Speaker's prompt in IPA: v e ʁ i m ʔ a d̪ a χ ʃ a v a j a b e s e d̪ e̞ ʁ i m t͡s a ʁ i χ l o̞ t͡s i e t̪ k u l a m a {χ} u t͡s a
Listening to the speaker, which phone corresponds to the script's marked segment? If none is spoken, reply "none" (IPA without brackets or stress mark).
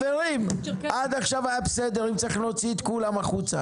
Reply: χ